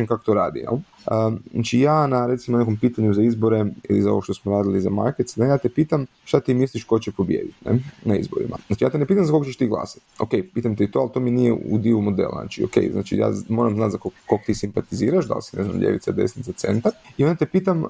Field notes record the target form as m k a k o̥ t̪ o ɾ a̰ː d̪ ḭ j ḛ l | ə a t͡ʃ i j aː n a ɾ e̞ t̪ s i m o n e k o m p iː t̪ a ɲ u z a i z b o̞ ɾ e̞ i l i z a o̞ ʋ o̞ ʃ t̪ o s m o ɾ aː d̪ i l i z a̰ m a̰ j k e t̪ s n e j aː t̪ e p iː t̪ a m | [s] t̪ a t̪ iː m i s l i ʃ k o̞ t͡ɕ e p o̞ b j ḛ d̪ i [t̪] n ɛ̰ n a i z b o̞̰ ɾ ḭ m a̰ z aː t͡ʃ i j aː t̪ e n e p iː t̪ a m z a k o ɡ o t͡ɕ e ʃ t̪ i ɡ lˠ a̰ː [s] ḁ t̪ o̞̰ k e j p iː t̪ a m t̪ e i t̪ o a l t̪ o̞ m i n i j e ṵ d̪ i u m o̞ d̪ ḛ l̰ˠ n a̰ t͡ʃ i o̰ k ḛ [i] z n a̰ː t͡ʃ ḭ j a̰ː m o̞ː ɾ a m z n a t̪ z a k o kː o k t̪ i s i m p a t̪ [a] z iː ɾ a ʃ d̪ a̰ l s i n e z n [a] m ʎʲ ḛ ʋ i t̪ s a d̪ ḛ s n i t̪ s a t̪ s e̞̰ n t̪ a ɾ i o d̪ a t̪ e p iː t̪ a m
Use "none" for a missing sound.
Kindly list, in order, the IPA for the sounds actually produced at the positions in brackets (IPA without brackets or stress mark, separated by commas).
ʃ, t̪, s, j, i, a